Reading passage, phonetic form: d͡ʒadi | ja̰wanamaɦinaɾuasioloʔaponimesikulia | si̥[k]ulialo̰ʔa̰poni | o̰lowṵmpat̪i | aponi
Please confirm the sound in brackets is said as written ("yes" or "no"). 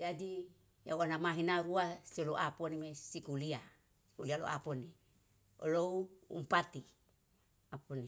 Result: yes